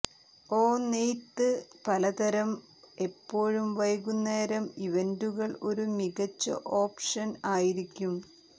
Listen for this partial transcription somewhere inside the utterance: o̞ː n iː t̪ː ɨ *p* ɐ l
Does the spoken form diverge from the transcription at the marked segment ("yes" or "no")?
no